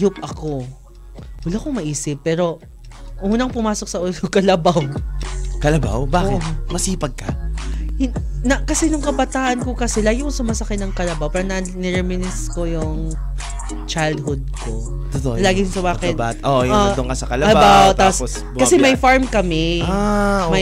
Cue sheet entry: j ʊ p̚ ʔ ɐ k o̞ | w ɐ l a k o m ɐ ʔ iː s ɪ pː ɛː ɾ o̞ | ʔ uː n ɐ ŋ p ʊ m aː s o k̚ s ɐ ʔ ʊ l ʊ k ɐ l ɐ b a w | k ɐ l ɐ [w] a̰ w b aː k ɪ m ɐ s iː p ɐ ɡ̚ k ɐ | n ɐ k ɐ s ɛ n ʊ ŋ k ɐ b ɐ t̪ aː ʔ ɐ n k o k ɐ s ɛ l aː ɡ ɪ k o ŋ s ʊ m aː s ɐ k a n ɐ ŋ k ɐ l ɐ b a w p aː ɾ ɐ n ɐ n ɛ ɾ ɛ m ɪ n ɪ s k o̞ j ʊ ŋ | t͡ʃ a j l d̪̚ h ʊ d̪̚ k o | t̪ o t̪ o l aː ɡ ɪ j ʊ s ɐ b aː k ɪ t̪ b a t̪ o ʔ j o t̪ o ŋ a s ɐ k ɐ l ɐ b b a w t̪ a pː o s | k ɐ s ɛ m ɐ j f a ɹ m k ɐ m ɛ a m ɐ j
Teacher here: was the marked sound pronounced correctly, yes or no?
no